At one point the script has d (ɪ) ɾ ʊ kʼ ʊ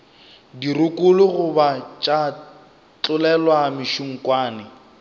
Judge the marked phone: incorrect: i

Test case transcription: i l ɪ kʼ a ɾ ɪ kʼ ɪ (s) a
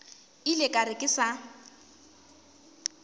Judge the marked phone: correct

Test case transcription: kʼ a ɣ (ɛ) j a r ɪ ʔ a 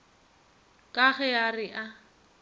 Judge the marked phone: correct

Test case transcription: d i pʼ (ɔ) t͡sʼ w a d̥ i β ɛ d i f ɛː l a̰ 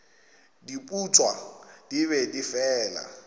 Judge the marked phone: incorrect: u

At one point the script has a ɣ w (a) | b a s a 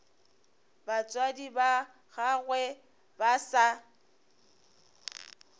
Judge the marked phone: incorrect: ɛ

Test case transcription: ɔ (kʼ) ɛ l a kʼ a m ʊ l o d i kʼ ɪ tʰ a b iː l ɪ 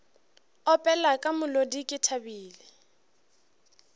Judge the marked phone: incorrect: pʼ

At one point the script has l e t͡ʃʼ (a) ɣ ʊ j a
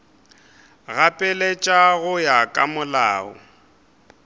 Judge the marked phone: correct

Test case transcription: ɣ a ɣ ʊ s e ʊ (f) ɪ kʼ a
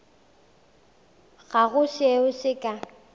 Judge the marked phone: incorrect: s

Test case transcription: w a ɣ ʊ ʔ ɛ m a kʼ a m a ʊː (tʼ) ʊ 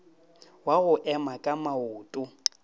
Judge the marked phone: correct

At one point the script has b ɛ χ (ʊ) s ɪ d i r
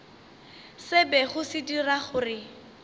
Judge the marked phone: correct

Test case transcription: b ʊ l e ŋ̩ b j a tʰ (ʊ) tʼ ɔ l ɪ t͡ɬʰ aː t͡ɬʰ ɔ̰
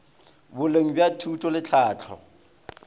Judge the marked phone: incorrect: u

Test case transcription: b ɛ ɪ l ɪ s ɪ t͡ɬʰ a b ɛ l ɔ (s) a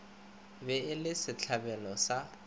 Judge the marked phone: correct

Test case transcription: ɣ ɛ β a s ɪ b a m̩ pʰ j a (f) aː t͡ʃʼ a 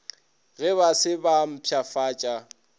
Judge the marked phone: correct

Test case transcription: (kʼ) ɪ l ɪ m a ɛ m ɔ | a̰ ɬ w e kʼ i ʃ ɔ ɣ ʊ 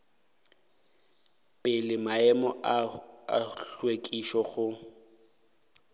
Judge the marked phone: incorrect: pʼ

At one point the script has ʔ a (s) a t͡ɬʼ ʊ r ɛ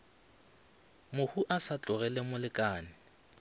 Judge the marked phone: correct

